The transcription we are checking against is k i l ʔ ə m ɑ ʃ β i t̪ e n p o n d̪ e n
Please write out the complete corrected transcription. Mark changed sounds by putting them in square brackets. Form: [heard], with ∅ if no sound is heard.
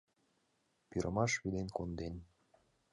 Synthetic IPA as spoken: [p] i [ɾ] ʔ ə m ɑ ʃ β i [d̪] e n [k] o n d̪ e n